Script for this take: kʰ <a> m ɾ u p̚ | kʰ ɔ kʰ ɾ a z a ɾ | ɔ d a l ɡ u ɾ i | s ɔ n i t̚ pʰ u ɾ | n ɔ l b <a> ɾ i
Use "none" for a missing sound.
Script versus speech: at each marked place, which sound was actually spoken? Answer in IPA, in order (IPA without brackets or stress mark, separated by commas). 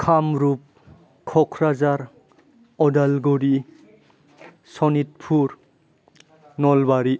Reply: a, a